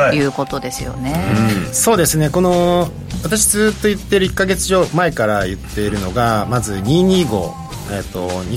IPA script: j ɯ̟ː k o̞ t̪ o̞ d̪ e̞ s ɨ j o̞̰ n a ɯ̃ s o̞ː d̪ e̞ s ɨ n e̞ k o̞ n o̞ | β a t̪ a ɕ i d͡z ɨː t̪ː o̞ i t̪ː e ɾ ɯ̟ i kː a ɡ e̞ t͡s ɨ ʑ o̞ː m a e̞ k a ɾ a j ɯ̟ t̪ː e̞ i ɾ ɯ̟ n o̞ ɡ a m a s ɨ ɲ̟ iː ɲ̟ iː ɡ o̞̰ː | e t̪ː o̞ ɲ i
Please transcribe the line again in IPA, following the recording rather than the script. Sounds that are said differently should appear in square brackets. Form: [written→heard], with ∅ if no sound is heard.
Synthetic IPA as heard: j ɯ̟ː k o̞ t̪ o̞ d̪ e̞ s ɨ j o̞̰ n [a→e] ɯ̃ s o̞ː d̪ e̞ s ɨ n e̞ k o̞ n o̞ | β a t̪ a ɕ i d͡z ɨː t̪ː o̞ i t̪ː e ɾ ɯ̟ i kː a ɡ e̞ t͡s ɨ ʑ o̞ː m a e̞ k a ɾ a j ɯ̟ t̪ː e̞ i ɾ ɯ̟ n o̞ ɡ a m a [s→z] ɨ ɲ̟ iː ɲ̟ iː ɡ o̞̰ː | e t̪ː o̞ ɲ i